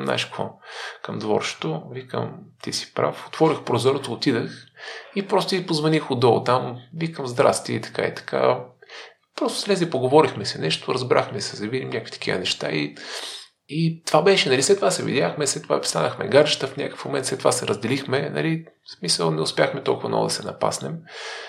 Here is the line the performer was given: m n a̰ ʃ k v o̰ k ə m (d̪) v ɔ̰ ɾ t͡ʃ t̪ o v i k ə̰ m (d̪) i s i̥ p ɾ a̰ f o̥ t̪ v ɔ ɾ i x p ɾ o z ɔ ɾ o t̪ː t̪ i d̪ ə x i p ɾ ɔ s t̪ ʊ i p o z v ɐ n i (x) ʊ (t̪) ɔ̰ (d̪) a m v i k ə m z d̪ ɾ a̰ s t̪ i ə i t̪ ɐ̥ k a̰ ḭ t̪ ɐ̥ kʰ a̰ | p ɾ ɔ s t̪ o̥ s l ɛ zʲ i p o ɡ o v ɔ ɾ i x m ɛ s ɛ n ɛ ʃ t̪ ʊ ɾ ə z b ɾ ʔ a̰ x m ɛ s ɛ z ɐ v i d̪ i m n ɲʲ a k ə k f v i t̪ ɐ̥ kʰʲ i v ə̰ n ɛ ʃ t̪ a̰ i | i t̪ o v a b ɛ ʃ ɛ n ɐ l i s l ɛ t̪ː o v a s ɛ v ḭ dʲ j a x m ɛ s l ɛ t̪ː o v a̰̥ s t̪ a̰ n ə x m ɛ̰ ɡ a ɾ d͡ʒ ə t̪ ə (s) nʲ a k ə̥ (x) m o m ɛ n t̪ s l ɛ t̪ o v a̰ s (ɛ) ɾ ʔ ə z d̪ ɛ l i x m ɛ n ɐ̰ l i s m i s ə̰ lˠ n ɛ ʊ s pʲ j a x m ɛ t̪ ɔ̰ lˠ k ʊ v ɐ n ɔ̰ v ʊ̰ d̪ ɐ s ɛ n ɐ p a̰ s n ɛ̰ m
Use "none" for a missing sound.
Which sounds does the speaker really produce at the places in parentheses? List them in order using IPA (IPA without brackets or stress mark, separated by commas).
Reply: d̪, t̪, x, d̪, t̪, f, f, ɛ